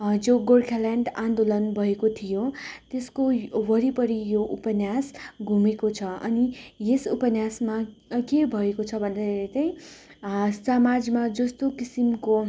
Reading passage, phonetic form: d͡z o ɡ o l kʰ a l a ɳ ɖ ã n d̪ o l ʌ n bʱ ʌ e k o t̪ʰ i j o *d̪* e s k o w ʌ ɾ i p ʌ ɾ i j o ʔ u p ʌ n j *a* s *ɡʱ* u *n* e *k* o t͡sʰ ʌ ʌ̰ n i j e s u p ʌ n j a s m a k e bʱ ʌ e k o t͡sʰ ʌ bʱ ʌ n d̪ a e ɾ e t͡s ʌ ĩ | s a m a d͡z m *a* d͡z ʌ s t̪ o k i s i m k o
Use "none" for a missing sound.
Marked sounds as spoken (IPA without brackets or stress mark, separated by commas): t̪, a, ɡʱ, m, k, a